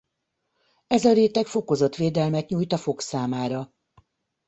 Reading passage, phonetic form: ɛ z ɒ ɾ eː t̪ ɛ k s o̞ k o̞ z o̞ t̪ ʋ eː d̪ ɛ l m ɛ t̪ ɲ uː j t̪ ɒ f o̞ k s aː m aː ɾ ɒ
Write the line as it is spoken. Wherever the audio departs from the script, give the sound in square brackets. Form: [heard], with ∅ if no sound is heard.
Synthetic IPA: ɛ z ɒ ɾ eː t̪ ɛ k [f] o̞ k o̞ z o̞ t̪ ʋ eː d̪ ɛ l m ɛ t̪ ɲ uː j t̪ ɒ f o̞ k s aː m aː ɾ ɒ